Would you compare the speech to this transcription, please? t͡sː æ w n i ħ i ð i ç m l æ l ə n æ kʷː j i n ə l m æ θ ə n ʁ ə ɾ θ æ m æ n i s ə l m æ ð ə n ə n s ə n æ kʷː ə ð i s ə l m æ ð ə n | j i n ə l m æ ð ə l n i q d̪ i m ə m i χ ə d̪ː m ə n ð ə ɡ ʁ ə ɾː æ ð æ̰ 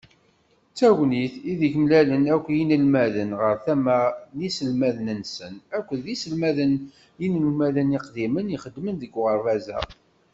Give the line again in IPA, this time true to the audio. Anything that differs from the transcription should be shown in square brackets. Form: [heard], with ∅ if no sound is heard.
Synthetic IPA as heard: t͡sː æ w n i [θ] i ð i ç m l æ l ə n æ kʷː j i n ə l m æ [ð] ə n ʁ ə ɾ θ æ m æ n i s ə l m æ ð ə n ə n s ə n æ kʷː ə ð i s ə l m æ ð ə n | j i n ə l m æ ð ə [∅] n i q d̪ i m ə [n] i χ ə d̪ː m ə n ð ə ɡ ʁ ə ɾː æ [z] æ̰